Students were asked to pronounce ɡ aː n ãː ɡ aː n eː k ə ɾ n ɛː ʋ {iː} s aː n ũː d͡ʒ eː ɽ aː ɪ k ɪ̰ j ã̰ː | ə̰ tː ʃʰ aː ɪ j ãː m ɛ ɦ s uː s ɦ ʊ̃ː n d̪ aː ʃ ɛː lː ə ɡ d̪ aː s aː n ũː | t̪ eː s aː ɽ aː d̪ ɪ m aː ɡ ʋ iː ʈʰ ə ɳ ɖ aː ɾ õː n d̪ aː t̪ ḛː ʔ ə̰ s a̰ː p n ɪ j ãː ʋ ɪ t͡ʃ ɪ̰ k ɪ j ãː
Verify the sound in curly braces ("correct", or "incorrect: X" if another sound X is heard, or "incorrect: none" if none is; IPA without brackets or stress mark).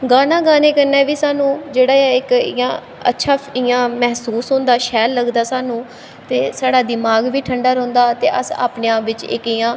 correct